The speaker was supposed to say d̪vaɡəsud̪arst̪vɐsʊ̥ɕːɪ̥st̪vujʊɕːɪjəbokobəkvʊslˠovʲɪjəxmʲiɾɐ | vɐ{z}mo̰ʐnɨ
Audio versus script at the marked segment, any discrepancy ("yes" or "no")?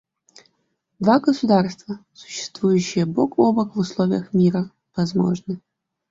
no